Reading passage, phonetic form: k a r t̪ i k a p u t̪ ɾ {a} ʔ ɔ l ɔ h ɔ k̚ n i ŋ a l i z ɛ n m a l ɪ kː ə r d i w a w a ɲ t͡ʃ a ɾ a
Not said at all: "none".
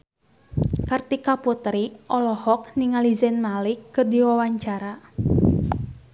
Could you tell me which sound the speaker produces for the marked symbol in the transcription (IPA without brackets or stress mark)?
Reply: i